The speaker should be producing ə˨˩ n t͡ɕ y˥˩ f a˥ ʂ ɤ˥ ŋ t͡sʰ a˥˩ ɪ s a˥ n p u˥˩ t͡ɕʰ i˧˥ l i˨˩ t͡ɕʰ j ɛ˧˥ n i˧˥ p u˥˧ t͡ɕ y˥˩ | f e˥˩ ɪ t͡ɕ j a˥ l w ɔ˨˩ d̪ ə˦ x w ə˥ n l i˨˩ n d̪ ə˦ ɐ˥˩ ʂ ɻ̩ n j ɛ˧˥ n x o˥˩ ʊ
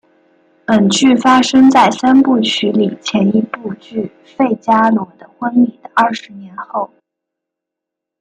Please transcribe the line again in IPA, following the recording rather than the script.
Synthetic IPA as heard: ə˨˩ n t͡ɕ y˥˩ f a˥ ʂ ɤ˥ ŋ t͡s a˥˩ ɪ s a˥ n p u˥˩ t͡ɕʰ y˧˥ l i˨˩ t͡ɕʰ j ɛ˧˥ n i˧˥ p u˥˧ t͡ɕ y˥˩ | f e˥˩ ɪ t͡ɕ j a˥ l w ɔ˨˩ d̪ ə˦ x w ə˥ n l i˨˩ d̪ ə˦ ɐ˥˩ ʂ ɻ̩ n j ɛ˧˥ n x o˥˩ ʊ

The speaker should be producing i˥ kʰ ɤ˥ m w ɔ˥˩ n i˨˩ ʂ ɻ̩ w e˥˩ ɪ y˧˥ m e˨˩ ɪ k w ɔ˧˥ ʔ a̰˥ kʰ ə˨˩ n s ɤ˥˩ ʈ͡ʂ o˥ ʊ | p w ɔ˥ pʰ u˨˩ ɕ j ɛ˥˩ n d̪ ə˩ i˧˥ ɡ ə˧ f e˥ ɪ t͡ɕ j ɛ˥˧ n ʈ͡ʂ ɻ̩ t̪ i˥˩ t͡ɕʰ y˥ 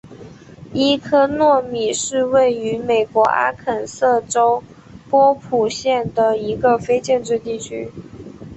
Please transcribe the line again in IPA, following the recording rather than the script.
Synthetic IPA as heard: i˥ kʰ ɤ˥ n w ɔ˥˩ m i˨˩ ʂ ɻ̩ w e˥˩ ɪ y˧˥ m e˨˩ ɪ k w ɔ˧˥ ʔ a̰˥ kʰ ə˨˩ n s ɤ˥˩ ʈ͡ʂ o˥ ʊ | p w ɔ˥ pʰ u˨˩ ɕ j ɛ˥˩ n d̪ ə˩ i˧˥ ɡ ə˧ f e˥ ɪ t͡ɕ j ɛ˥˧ n ʈ͡ʂ ɻ̩ t̪ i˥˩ t͡ɕʰ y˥

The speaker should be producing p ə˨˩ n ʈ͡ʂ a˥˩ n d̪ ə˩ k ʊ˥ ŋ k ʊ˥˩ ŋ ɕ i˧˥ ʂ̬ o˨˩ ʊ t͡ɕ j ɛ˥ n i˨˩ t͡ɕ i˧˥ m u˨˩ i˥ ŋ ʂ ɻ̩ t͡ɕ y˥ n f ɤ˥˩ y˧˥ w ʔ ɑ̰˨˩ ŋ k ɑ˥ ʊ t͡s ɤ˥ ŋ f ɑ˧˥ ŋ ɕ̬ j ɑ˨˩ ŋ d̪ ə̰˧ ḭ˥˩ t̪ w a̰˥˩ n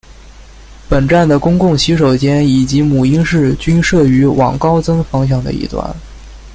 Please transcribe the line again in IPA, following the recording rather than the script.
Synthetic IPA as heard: p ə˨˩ n ʈ͡ʂ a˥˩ n d̪ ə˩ k ʊ˥ ŋ k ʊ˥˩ ŋ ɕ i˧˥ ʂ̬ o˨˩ ʊ t͡ɕ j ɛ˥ n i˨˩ t͡ɕ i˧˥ m u˨˩ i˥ ŋ ʂ ɻ̩ t͡ɕ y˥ n ʂ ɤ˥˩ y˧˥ w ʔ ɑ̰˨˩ ŋ k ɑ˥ ʊ t͡s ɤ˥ ŋ f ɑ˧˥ ŋ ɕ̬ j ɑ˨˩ ŋ d̪ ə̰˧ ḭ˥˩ t̪ w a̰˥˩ n

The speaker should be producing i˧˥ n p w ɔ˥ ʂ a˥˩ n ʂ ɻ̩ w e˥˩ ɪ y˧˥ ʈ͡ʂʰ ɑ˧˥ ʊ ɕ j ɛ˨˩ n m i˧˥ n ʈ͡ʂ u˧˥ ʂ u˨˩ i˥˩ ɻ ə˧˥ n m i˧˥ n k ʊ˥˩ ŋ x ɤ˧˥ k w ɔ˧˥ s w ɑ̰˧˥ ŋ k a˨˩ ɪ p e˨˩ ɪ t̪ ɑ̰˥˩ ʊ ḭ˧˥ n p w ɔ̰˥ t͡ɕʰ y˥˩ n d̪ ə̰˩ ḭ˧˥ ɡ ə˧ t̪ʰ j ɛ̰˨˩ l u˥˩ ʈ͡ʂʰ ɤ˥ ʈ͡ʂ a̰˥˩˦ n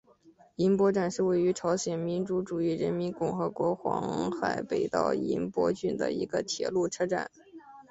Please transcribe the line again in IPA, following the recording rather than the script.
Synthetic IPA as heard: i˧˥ n p w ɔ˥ ʈ͡ʂ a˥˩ n ʂ ɻ̩ w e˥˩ ɪ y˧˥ ʈ͡ʂʰ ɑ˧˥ ʊ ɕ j ɛ˨˩ n m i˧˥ n ʈ͡ʂ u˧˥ ʈ͡ʂ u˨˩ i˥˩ ɻ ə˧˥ n m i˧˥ n k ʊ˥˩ ŋ x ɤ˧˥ k w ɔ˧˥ x w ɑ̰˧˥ ŋ x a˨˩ ɪ p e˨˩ ɪ t̪ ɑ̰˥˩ ʊ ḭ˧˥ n p w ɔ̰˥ t͡ɕ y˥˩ n d̪ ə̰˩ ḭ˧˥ ɡ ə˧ t̪ʰ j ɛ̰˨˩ l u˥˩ ʈ͡ʂʰ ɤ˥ ʈ͡ʂ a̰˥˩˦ n

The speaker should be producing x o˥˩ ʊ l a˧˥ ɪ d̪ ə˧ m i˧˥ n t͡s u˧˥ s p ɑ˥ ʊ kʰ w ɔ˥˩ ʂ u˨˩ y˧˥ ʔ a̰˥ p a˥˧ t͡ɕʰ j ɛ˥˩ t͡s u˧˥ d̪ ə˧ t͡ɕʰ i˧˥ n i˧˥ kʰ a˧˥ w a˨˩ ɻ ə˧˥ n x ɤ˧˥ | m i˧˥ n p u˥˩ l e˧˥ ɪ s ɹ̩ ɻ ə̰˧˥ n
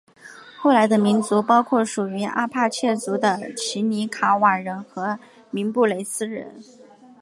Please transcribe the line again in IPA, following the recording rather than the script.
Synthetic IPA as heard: x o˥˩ ʊ l a˧˥ ɪ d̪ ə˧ m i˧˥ n t͡s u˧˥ p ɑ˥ ʊ kʰ w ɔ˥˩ ʂ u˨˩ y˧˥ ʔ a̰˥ pʰ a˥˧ t͡ɕʰ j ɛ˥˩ t͡s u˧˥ d̪ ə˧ t͡ɕʰ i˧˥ n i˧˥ kʰ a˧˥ w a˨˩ ɻ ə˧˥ n x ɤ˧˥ | m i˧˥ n p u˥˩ l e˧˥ ɪ s ɹ̩ ɻ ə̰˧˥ n

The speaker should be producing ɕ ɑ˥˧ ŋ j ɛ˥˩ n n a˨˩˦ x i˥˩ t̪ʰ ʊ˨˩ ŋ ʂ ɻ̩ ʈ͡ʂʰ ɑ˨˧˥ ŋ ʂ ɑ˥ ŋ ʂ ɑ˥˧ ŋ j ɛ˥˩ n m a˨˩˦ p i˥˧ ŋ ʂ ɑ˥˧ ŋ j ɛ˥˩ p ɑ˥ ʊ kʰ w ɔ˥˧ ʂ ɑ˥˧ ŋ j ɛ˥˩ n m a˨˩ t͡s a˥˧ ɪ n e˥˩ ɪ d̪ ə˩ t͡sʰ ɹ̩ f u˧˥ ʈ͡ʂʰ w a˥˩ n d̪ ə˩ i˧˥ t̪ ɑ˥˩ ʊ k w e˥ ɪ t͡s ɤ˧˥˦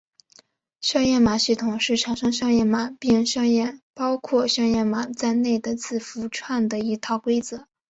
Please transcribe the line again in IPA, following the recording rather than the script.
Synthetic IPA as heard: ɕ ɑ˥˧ ŋ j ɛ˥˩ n m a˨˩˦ ɕ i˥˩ t̪ʰ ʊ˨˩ ŋ ʂ ɻ̩ ʈ͡ʂʰ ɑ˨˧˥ ŋ ʂ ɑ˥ ŋ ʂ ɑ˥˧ ŋ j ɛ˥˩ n m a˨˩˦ p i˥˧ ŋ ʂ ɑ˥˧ ŋ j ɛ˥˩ p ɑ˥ ʊ kʰ w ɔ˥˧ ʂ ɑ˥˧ ŋ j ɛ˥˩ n m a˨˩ t͡s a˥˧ ɪ n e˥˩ ɪ d̪ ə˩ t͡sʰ ɹ̩ f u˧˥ ʈ͡ʂʰ w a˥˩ n d̪ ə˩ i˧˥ t̪ʰ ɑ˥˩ ʊ k w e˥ ɪ t͡s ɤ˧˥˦

